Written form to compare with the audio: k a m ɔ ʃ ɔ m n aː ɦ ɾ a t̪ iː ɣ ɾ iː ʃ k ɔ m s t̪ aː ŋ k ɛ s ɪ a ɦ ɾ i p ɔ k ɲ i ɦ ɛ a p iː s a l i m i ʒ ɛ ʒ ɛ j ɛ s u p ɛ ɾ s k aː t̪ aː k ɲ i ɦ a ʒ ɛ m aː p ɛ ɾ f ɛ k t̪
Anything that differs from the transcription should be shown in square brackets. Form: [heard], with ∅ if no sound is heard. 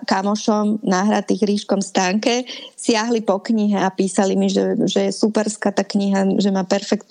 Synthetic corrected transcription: k a m ɔ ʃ ɔ m n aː ɦ ɾ a t̪ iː ɣ ɾ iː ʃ k ɔ m s t̪ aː ŋ k ɛ s ɪ a ɦ [l] i p ɔ k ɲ i ɦ ɛ a p iː s a l i m i ʒ ɛ ʒ ɛ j ɛ s u p ɛ ɾ s k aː t̪ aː k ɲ i ɦ a ʒ ɛ m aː p ɛ ɾ f ɛ k t̪